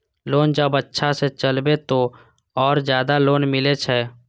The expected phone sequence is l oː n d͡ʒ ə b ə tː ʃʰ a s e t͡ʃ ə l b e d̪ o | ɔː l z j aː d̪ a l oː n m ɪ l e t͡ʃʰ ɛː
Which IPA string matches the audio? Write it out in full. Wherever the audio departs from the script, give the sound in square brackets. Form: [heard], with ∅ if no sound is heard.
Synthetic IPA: l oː n d͡ʒ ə b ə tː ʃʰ a s e t͡ʃ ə l b e [t̪] o | ɔː [ɾ] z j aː d̪ a l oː n m ɪ l e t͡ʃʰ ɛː